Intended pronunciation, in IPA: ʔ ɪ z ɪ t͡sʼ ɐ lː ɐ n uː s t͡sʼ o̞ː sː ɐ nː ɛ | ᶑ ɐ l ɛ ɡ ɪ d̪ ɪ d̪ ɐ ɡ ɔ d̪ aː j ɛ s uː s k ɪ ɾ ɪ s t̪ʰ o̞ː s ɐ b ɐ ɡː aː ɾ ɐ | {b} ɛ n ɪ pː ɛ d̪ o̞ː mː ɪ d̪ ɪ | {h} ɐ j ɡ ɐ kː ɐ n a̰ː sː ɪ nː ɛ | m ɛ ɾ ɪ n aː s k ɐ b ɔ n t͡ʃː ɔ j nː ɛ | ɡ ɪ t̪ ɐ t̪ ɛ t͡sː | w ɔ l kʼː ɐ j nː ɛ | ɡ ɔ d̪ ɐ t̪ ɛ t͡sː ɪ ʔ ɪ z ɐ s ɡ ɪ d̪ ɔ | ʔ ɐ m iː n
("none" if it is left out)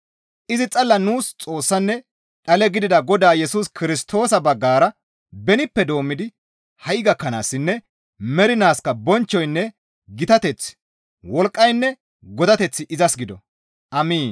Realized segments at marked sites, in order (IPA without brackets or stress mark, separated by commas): b, h